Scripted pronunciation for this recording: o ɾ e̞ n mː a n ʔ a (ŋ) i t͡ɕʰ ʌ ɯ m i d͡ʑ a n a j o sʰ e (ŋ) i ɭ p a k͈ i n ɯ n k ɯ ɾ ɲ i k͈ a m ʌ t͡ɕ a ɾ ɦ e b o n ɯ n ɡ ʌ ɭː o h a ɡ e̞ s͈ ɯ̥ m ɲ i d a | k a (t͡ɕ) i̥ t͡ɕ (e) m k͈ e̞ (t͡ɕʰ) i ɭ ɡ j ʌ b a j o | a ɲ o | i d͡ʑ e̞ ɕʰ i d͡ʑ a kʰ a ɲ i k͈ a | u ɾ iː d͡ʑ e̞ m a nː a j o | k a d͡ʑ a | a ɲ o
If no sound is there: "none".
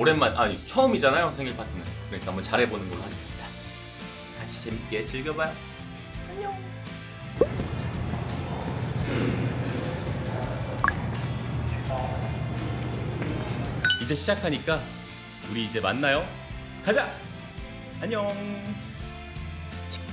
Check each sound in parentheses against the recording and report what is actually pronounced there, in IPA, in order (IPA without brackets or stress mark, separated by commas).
ɲ, ŋ, t͡ɕʰ, e, t͡ɕ